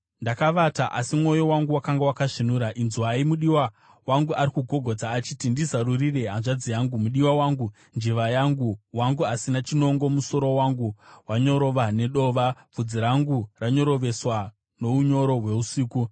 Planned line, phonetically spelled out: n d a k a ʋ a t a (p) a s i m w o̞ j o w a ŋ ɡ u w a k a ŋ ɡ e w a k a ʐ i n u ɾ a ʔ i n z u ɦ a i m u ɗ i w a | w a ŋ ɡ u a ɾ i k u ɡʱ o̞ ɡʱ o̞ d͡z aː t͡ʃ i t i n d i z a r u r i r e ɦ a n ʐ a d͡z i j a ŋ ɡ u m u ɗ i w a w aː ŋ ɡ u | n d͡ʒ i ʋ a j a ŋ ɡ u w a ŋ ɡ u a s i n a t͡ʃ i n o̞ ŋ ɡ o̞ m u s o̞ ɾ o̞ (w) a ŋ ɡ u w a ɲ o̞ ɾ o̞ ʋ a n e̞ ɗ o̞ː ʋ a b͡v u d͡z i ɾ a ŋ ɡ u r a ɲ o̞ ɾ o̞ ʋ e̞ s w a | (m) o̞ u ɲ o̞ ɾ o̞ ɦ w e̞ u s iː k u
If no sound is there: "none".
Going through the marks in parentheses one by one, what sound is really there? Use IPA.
ʔ, w, n

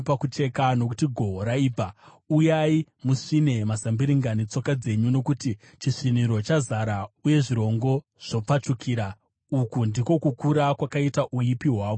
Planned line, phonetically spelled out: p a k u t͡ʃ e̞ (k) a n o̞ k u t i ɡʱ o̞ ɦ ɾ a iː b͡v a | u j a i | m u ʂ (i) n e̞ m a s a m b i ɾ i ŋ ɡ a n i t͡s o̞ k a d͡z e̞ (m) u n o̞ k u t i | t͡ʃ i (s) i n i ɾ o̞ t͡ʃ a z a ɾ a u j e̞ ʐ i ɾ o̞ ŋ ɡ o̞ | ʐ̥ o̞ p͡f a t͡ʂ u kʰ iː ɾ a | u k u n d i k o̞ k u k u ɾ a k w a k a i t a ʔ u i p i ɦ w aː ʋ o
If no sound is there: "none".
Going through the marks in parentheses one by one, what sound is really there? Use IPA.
k, i, ɲ, ʂ

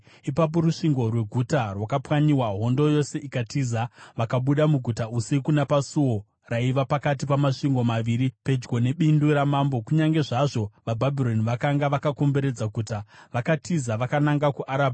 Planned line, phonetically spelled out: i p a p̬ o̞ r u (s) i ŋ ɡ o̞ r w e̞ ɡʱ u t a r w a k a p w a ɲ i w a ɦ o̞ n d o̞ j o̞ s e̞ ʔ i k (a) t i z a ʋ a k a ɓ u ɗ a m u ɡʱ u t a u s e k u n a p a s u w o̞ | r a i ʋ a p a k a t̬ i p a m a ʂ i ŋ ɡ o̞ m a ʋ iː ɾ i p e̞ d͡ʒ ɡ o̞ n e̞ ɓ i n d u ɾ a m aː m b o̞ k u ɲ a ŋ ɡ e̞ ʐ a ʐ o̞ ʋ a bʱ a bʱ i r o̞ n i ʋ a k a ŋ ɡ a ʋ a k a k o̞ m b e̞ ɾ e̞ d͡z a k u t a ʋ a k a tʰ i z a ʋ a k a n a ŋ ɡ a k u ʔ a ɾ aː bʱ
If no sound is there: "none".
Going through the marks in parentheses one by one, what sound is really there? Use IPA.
ʂ, a

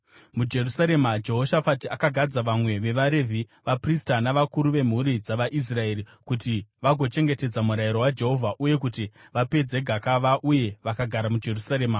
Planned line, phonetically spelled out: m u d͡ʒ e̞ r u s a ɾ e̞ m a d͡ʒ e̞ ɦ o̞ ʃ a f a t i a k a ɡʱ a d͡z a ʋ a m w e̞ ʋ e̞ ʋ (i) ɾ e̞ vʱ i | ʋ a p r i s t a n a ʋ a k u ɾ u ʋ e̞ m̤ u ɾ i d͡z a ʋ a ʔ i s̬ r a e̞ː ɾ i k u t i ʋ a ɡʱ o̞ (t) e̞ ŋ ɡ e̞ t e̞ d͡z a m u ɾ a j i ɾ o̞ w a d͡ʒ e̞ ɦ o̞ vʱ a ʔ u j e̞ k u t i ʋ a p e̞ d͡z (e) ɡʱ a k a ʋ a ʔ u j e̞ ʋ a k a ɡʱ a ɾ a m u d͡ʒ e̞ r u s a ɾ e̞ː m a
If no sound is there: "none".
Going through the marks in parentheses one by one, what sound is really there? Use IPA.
a, t͡ʃ, e

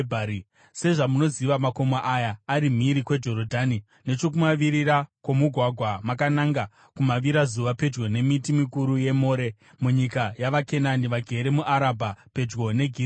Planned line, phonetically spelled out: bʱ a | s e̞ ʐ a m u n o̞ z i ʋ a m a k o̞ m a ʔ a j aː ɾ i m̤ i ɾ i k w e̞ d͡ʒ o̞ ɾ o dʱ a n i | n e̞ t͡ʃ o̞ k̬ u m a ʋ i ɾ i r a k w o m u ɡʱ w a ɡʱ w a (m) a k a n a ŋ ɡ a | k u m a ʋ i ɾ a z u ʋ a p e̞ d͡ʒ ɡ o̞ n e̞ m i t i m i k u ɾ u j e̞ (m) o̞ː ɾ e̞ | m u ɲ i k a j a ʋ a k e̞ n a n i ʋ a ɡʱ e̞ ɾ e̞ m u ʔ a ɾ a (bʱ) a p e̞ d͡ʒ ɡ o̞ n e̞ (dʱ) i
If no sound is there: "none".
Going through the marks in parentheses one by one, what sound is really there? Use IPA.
m, m, bʱ, ɡʱ

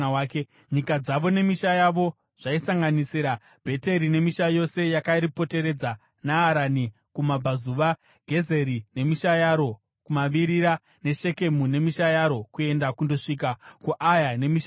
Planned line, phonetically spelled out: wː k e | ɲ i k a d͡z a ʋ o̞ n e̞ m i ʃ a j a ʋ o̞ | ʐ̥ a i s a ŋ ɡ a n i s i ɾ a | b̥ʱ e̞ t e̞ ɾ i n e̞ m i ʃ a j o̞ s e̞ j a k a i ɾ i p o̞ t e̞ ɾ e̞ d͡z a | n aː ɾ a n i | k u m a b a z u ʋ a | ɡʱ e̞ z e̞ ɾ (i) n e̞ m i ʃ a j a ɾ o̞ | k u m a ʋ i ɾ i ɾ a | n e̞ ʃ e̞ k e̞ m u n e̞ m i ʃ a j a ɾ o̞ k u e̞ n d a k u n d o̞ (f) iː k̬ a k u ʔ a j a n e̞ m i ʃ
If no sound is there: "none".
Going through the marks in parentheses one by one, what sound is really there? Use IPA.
i, ʂ

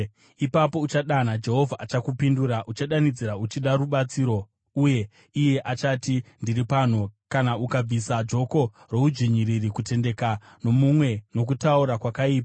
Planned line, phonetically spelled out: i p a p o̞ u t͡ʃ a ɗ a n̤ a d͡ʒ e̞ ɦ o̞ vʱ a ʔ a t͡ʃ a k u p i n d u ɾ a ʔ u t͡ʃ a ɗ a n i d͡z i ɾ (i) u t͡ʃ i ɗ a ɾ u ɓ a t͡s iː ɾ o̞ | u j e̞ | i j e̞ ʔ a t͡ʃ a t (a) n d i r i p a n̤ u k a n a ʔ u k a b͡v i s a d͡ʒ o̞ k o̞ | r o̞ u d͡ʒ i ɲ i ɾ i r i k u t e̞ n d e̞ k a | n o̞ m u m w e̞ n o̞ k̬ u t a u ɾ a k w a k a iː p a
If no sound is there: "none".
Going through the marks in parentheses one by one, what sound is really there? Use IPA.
a, i

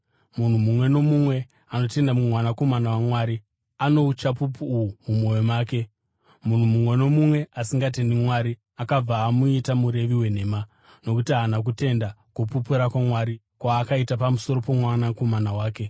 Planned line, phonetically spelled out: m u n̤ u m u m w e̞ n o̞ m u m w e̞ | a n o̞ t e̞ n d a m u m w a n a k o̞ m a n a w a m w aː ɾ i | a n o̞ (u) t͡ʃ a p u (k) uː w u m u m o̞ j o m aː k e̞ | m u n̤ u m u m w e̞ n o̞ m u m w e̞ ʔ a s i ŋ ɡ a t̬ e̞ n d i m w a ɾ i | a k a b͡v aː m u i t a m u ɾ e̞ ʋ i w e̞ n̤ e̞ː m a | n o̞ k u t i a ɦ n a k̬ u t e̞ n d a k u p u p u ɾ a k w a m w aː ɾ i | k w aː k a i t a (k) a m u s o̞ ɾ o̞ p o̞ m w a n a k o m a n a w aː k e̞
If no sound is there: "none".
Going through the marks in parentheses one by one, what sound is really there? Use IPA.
u, p, p

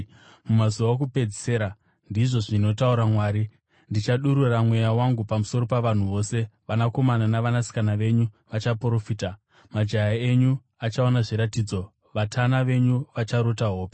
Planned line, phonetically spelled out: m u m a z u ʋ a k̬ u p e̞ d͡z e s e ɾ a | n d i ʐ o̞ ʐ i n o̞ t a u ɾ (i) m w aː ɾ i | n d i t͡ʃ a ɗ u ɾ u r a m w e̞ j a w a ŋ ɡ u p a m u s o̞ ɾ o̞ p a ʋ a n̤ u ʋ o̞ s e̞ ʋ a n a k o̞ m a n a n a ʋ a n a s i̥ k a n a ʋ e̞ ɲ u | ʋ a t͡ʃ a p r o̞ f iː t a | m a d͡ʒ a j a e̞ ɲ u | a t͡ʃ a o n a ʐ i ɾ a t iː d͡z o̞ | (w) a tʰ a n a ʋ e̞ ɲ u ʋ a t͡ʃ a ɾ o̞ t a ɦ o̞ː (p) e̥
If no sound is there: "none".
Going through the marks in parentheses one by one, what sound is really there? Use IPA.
a, ʋ, p

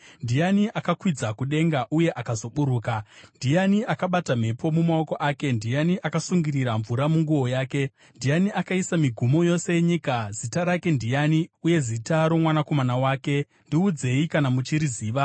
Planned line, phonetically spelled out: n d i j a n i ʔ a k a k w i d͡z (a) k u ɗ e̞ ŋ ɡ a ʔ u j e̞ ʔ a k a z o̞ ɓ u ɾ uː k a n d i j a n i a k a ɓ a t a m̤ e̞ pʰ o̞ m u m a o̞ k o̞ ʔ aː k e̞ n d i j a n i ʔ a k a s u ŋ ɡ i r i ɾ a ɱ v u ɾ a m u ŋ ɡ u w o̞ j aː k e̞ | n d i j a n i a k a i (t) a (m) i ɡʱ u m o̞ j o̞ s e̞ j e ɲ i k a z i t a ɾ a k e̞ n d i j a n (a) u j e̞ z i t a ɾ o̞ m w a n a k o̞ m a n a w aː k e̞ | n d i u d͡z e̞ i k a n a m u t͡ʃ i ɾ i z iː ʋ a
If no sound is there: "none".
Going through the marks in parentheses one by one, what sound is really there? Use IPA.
a, s, m, i

